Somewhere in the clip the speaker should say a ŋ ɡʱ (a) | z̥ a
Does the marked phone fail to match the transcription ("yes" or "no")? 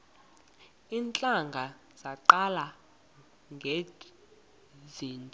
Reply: no